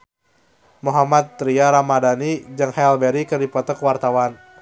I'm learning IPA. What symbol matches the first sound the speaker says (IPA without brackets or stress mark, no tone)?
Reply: m